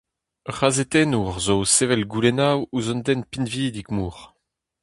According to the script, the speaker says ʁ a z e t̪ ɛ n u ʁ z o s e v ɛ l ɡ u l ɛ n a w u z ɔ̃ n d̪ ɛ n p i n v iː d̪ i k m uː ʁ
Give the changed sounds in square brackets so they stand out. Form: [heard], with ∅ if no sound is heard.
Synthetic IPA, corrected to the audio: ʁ a z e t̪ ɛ n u ʁ z o s e v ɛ l ɡ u l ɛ n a w u z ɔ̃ n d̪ ɛ n p i n v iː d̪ i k m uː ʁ